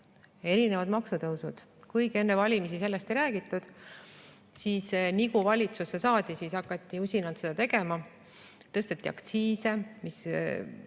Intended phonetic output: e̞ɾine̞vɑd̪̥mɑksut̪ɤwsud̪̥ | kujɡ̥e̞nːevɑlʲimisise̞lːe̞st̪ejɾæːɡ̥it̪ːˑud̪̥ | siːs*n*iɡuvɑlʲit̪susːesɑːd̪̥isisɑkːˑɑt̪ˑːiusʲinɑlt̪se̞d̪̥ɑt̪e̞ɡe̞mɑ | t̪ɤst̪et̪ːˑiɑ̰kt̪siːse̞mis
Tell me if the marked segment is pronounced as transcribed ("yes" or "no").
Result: yes